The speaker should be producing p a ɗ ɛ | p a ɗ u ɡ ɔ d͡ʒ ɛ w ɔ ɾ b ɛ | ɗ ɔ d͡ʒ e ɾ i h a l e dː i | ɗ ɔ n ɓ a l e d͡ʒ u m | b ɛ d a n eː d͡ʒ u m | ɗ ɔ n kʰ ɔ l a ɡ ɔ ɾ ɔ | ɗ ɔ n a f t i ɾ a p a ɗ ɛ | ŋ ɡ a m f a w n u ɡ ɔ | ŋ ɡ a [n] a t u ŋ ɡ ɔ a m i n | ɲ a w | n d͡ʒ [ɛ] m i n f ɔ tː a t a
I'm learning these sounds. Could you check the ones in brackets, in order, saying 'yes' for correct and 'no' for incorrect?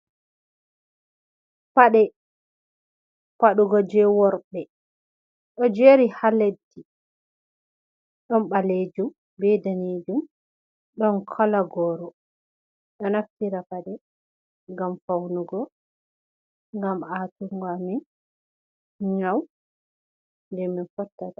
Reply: no, yes

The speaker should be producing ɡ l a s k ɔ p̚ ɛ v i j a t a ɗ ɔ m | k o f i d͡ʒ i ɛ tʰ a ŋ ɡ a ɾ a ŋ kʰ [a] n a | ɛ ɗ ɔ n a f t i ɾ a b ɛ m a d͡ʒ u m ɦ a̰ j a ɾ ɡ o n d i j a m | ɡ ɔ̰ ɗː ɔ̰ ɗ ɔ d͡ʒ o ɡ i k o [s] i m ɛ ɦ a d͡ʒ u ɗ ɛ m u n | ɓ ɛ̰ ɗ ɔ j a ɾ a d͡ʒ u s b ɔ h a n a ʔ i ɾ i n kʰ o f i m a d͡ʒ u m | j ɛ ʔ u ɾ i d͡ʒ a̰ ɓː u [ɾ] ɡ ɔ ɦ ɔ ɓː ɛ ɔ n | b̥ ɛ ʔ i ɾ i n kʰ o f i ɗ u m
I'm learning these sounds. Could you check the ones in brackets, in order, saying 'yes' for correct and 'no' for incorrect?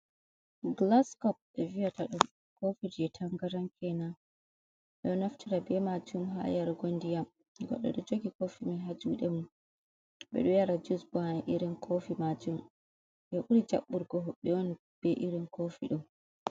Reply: no, no, yes

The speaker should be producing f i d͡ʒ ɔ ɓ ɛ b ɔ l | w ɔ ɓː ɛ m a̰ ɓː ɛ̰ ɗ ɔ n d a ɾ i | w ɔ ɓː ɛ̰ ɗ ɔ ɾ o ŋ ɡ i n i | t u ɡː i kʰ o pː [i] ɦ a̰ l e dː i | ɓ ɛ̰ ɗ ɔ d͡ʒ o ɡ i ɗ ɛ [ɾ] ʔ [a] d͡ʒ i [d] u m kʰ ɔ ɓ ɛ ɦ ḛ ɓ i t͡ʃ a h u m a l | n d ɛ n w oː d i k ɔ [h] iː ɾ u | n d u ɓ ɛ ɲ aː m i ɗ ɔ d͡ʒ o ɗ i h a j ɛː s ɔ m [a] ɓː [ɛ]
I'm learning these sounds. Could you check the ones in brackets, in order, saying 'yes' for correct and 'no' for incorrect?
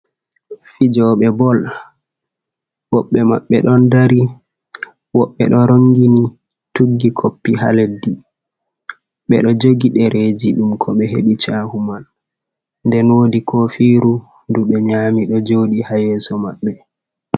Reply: yes, yes, no, no, no, yes, yes

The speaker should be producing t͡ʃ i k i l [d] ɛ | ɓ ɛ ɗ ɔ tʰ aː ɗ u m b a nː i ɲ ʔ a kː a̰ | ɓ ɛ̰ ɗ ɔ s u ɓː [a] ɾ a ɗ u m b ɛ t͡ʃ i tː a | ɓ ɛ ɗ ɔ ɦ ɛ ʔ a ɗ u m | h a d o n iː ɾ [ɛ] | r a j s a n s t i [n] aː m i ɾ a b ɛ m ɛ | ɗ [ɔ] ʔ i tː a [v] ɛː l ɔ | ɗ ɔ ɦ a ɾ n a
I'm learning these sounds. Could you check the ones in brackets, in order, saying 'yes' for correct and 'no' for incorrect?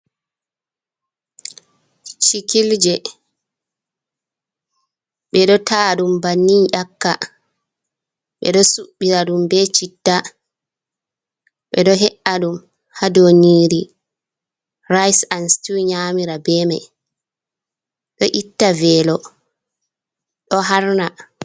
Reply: no, no, no, no, yes, yes

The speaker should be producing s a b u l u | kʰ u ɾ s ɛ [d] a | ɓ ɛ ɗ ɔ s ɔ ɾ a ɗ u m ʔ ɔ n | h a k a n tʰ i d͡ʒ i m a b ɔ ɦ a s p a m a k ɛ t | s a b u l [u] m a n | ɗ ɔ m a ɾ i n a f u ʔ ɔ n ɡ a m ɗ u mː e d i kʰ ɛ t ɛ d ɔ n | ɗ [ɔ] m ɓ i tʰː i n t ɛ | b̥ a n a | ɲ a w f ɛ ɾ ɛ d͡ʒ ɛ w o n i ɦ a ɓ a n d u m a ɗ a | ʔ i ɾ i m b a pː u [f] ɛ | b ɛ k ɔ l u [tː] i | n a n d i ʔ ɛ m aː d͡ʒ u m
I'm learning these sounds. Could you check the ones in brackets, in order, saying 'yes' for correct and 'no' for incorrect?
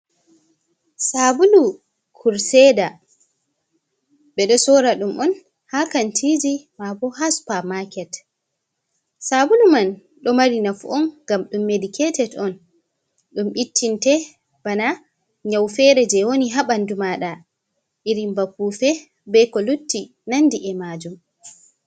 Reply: yes, yes, no, yes, yes

